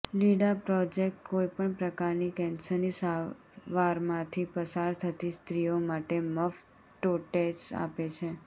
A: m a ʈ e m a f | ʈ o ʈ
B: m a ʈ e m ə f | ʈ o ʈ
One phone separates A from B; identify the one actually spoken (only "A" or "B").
B